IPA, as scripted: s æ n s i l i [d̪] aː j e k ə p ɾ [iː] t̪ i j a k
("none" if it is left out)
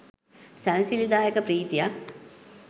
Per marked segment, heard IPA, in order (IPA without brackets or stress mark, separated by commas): d̪, iː